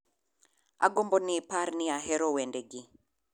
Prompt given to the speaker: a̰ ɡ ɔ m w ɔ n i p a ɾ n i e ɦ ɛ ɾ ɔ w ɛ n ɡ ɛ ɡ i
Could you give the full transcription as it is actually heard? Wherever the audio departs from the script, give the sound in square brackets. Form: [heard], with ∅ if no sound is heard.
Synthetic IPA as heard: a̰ ɡ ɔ m [b] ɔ n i p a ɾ n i [a] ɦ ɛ ɾ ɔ w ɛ n [d] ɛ ɡ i